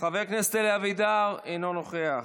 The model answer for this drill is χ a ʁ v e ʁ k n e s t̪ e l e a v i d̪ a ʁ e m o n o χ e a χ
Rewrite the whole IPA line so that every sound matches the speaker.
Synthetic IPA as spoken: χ a v e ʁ k n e s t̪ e l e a v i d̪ a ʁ e n o n o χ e a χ